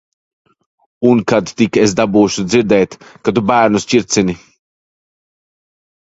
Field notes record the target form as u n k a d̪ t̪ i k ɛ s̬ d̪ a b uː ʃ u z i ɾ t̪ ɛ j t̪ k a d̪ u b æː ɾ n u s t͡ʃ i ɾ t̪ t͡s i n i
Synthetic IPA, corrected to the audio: u n k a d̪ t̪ i k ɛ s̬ d̪ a b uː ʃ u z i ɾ d̪ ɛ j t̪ k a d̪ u b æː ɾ n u s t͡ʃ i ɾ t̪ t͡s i n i